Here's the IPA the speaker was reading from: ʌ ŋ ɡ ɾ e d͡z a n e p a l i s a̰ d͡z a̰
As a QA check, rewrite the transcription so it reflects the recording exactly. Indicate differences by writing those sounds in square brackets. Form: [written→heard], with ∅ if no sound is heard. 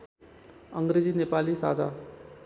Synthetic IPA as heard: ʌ ŋ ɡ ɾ e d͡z [a→i] n e p a l i s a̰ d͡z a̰